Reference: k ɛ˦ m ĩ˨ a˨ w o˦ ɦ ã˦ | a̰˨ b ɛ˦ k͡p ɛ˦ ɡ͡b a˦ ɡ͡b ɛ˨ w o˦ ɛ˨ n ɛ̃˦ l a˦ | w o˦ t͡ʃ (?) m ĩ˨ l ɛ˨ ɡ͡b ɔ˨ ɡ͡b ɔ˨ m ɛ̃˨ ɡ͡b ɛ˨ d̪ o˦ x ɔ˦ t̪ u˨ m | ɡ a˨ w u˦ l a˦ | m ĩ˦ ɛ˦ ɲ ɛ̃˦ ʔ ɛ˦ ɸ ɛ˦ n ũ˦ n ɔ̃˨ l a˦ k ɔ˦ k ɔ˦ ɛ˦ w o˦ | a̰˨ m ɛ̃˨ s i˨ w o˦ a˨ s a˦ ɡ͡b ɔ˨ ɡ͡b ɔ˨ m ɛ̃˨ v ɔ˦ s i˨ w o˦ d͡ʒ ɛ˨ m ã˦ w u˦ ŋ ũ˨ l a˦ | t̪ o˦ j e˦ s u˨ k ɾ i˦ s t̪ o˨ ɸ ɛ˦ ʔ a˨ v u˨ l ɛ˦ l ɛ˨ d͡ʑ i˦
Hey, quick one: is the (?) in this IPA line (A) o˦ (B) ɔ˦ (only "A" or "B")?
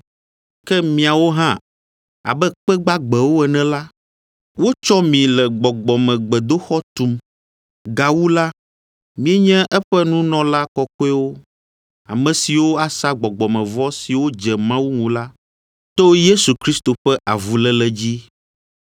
B